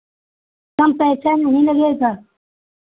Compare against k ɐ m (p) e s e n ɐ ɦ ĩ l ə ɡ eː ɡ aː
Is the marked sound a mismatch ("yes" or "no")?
no